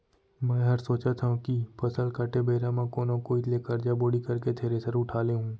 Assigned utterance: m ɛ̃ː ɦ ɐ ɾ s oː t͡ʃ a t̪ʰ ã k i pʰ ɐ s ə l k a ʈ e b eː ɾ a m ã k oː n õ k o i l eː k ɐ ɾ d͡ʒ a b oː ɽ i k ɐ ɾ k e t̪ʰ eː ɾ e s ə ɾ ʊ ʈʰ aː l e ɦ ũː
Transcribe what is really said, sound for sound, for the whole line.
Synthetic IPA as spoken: m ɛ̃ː ɦ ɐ ɾ s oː t͡ʃ a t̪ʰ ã k i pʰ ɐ s ə l k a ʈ e b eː ɾ a m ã k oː n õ k o i l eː k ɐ ɾ d͡ʒ a b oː ɽ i k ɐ ɾ k e t̪ʰ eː ɾ e s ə ɾ ʊ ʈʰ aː l e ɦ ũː